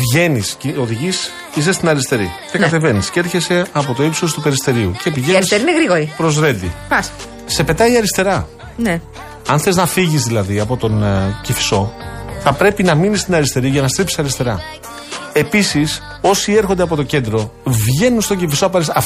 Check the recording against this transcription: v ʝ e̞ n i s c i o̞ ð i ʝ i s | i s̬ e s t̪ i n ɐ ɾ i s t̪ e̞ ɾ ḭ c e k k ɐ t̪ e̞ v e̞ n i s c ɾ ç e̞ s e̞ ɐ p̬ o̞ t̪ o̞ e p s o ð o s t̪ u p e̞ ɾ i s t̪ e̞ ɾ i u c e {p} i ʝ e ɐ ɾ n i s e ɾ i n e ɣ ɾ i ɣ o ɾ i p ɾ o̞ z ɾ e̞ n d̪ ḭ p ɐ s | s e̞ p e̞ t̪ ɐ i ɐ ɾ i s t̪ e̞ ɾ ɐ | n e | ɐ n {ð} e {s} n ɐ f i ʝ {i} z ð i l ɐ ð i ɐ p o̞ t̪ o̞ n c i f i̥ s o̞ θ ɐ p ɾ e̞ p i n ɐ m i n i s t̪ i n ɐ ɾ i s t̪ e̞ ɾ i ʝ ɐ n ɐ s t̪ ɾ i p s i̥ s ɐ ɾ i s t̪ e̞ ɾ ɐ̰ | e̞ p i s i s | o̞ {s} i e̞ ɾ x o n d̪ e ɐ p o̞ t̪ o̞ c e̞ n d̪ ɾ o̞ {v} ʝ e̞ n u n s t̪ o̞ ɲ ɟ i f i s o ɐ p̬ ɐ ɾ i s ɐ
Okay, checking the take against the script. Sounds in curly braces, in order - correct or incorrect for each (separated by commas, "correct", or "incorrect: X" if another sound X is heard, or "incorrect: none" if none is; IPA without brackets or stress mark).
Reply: correct, incorrect: θ, incorrect: z, correct, correct, correct